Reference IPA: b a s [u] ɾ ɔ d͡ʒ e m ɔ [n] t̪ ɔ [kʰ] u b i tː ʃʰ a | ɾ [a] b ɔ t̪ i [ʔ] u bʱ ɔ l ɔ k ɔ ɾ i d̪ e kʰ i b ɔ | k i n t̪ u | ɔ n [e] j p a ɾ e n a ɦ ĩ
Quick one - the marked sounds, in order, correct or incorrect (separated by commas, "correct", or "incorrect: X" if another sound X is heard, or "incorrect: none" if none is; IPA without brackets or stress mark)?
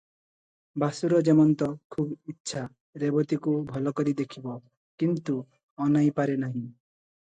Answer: correct, correct, correct, incorrect: e, incorrect: k, incorrect: a